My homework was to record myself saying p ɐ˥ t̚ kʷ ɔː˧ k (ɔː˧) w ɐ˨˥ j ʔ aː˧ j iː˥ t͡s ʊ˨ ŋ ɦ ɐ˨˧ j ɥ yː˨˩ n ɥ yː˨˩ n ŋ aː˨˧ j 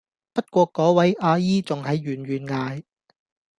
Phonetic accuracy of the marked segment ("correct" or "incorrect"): incorrect